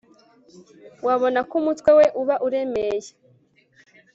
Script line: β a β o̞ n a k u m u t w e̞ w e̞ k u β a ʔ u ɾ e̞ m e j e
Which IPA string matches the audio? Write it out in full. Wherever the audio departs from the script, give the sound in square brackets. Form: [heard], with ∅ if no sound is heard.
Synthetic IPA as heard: [w] a β o̞ n a k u m u t w e̞ w e̞ [ʔ] u β a ʔ u ɾ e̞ m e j e